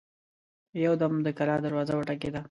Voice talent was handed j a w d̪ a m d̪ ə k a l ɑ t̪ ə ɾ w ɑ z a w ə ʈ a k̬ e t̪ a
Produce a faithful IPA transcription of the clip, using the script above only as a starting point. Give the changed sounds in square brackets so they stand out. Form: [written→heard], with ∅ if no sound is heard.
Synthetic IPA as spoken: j a w d̪ a m d̪ ə k a l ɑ [t̪→d̪] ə ɾ w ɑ z a w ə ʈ a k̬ e [t̪→d̪] a